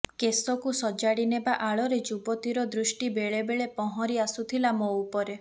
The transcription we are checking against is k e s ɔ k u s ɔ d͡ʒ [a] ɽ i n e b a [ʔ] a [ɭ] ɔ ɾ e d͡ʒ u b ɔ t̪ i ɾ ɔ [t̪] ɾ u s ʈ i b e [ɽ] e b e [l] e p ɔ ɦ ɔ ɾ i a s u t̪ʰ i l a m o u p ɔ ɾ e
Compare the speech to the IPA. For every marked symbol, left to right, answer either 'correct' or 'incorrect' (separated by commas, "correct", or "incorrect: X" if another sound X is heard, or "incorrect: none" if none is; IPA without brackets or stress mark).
correct, correct, correct, incorrect: d̪, incorrect: ɭ, incorrect: ɭ